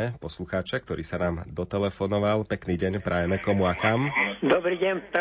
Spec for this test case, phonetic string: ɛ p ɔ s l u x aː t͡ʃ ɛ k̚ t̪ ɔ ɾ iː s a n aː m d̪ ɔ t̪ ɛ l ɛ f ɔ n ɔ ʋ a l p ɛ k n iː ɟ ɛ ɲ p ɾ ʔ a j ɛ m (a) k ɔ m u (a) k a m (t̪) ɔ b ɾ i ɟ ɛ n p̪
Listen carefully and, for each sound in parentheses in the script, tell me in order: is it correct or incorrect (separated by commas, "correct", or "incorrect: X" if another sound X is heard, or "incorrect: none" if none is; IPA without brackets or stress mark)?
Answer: incorrect: ɛ, correct, incorrect: d̪